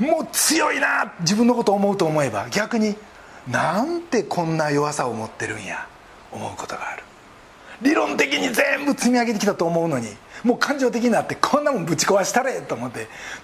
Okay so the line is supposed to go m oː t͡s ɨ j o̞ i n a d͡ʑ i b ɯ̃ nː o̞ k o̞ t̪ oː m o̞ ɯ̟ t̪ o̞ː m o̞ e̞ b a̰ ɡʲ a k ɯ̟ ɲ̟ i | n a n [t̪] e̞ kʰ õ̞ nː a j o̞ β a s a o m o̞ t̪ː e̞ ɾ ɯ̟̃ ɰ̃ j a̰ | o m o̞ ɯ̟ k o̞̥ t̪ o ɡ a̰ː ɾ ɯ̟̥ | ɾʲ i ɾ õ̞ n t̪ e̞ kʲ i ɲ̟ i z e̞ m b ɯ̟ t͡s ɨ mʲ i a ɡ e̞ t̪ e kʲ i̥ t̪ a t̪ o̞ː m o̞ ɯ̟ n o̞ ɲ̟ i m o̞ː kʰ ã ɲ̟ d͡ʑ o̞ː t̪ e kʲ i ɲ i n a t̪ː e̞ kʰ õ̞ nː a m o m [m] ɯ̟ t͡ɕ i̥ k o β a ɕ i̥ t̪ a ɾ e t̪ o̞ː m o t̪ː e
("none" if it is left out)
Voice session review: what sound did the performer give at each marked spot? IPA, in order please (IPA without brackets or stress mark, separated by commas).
t̪, b